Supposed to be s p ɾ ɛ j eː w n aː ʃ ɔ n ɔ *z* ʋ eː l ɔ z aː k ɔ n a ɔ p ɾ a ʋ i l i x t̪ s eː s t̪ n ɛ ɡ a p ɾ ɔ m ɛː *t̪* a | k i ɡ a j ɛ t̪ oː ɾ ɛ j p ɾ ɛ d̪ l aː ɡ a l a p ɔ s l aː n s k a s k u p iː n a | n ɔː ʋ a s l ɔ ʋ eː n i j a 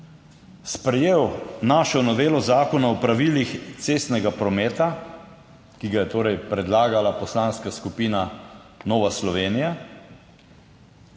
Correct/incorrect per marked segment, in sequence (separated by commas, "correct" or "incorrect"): incorrect, correct